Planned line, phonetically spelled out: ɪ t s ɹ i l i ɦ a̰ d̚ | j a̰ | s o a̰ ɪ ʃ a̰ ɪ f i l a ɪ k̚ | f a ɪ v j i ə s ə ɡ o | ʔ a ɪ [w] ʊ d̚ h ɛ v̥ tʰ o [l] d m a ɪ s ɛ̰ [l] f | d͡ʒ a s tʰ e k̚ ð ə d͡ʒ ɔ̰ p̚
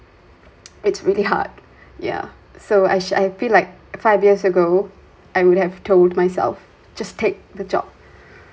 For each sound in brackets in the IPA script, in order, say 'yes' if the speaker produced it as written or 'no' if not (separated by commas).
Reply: yes, yes, yes